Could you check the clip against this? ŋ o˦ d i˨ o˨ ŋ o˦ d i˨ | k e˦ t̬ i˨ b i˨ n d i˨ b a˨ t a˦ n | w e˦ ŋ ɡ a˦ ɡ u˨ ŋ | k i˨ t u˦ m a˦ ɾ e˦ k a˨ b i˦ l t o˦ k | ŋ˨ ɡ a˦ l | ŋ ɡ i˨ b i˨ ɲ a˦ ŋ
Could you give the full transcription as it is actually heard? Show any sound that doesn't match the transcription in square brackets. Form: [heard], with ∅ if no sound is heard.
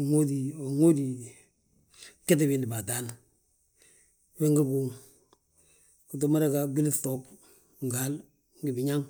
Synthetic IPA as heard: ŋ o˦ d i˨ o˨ ŋ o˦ d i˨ | k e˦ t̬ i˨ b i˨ n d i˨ b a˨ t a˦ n | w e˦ ŋ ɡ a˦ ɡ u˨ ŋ | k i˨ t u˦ m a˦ ɾ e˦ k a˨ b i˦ l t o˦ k | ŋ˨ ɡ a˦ l | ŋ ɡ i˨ b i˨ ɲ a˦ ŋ